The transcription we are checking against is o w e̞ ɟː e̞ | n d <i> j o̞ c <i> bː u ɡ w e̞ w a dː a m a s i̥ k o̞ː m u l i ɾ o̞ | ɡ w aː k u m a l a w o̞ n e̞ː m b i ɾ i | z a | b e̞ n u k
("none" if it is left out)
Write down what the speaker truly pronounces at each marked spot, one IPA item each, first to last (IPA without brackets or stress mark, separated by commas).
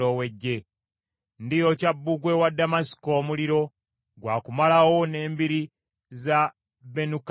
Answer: i, a